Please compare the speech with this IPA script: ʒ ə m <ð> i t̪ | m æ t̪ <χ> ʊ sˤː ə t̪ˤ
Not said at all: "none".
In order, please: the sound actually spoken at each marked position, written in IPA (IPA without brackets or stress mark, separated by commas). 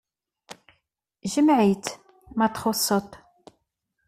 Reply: ʕ, χ